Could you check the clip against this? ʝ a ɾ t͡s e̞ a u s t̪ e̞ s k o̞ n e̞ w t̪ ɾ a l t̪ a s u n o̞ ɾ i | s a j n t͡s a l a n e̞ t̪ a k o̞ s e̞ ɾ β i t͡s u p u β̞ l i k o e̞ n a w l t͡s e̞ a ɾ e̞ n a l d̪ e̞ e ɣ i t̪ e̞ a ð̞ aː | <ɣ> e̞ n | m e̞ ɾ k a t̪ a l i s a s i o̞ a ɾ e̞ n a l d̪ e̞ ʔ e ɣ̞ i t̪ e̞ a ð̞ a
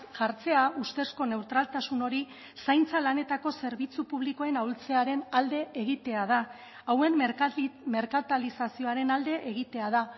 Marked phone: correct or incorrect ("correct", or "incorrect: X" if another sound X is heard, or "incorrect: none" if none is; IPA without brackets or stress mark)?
incorrect: w